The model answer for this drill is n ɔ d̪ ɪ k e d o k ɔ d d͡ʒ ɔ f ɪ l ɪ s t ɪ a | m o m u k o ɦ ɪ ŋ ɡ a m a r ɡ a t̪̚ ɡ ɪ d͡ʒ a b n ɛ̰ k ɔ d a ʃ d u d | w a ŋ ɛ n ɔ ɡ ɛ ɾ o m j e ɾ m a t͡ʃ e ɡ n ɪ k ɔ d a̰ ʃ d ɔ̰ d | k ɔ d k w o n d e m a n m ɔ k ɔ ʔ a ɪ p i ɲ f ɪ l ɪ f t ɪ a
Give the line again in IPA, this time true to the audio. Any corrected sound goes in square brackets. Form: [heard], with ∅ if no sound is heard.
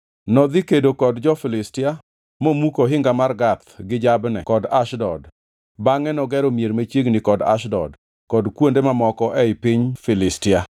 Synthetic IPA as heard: n ɔ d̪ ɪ k e d o k ɔ d d͡ʒ ɔ f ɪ l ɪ s t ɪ a | m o m u k o ɦ ɪ ŋ ɡ a m a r ɡ a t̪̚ ɡ ɪ d͡ʒ a b n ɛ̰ k ɔ d a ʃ d [ɔ] d | [b] a ŋ ɛ n ɔ ɡ ɛ ɾ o m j e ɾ m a t͡ʃ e ɡ n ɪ k ɔ d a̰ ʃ d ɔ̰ d | k ɔ d k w o n d e m a [∅] m ɔ k ɔ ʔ [ɛ] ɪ p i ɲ f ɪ l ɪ [s] t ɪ a

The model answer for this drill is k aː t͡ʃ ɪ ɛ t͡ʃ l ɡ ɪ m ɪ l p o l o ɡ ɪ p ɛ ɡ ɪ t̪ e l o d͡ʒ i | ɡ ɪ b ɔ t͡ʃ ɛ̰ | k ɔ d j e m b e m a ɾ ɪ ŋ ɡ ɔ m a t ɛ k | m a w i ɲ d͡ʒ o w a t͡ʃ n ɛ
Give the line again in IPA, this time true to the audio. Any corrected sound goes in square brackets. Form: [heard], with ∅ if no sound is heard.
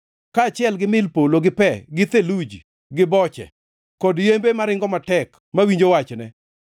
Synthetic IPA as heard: k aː t͡ʃ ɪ ɛ [∅] l ɡ ɪ m ɪ l p o l o ɡ ɪ p ɛ ɡ ɪ t̪ e l [u] d͡ʒ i | ɡ ɪ b ɔ t͡ʃ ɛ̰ | k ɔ d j e m b e m a ɾ ɪ ŋ ɡ ɔ m a t ɛ k | m a w i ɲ d͡ʒ o w a t͡ʃ n ɛ

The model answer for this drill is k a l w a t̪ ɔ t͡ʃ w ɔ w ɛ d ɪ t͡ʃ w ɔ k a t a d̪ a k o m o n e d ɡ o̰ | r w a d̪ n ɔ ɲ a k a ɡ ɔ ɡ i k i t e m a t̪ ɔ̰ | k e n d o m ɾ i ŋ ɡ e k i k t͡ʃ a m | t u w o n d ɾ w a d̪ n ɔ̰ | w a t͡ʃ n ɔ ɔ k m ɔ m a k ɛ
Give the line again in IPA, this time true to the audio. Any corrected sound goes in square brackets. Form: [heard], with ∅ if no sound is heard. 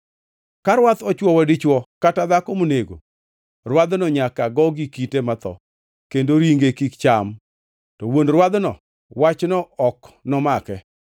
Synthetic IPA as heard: k a [ɾ] w a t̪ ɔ t͡ʃ w ɔ w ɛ d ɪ t͡ʃ w ɔ k a t a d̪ a k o m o n e [∅] ɡ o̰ | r w a d̪ n ɔ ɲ a k a ɡ ɔ ɡ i k i t e m a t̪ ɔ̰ | k e n d o [∅] ɾ i ŋ ɡ e k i k t͡ʃ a m | t [ɔ] w o n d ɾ w a d̪ n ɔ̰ | w a t͡ʃ n ɔ ɔ k [n] ɔ m a k ɛ

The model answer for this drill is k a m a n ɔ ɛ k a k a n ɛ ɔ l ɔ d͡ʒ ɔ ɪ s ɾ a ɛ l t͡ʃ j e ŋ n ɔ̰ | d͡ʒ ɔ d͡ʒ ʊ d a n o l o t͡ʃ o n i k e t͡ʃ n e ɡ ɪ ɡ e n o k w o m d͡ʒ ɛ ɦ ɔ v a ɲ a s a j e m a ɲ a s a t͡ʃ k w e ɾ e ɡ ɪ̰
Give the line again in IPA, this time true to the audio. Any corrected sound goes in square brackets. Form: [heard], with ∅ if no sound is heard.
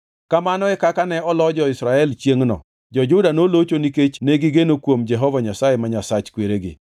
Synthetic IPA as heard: k a m a n ɔ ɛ k a k a n ɛ ɔ l ɔ d͡ʒ ɔ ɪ s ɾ a ɛ l t͡ʃ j e ŋ n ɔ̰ | d͡ʒ ɔ d͡ʒ ʊ d a n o l o t͡ʃ o n i k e t͡ʃ n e ɡ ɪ ɡ e n o k w o m d͡ʒ ɛ ɦ ɔ v a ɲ a s a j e m a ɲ a s a t͡ʃ k w e ɾ e ɡ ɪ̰

